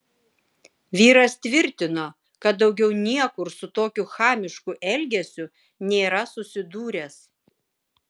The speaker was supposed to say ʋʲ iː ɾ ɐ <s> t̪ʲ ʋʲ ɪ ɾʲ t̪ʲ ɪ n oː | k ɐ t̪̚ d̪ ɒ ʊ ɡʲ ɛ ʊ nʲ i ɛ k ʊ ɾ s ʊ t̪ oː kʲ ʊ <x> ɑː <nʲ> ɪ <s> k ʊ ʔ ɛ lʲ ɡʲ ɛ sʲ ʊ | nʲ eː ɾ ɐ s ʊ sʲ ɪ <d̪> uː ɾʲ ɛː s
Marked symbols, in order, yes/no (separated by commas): yes, yes, no, no, yes